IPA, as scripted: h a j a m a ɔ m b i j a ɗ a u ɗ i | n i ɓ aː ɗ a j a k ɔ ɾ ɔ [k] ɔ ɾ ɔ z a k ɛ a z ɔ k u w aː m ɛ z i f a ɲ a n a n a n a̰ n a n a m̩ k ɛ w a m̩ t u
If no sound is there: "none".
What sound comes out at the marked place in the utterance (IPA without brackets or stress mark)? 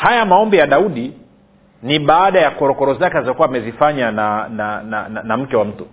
k